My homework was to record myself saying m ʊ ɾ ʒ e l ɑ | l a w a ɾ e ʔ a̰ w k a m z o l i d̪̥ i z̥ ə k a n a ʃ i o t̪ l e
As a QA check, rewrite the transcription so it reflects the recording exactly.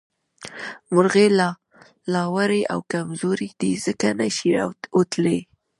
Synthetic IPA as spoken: m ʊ ɾ ɣ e l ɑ | l ɑ w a ɾ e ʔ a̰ w k a m z o ɾ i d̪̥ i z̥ ə k a n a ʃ i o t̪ l e

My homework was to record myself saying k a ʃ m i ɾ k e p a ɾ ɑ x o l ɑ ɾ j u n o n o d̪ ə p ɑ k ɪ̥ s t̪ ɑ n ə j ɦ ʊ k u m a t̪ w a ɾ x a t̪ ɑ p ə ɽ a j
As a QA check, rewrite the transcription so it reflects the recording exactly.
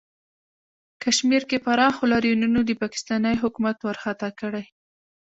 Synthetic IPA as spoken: k a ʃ m i ɾ k e p a ɾ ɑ x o l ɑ ɾ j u n u n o d̪ ə p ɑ k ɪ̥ s t̪ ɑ n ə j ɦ ʊ k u m a t̪ w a ɾ x a t̪ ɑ k ə ɽ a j

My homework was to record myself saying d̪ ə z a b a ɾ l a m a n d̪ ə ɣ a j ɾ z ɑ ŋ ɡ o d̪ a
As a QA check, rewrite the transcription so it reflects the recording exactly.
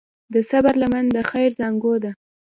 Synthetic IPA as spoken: d̪ ə s a b a ɾ l a m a n d̪ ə x a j ɾ z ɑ ŋ ɡ o d̪ a

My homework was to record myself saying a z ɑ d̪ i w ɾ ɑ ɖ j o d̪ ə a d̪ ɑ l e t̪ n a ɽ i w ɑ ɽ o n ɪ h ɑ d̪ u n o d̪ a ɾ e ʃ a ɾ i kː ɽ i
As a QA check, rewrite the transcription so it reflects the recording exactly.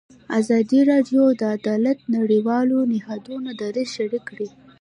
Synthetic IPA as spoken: a z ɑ d̪ i ɾ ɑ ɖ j o d̪ ə a d̪ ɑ l a t̪ n a ɽ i w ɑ l o n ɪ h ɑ d̪ u n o d̪ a ɾ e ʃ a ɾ i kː ɽ i

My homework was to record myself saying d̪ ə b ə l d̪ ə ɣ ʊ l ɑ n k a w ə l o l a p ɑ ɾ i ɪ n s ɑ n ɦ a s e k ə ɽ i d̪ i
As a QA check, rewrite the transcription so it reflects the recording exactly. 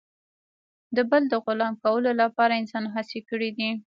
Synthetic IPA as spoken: d̪ ə b ə l d̪ ə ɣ ʊ l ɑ m k a w ə l o l a p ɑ ɾ a ɪ n s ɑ n ɦ a s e k ə ɽ i d̪ i

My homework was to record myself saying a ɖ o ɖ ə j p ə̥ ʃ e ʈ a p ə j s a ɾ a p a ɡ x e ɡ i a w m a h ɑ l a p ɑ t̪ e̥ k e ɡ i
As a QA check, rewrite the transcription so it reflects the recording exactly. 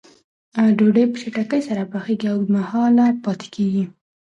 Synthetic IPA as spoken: a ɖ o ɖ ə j p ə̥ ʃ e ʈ a k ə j s a ɾ a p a x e ɡ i a w m a h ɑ l a p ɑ t̪ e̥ k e ɡ i

